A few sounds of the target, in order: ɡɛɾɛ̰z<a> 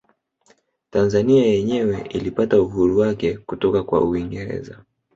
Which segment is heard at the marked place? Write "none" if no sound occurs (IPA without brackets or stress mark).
a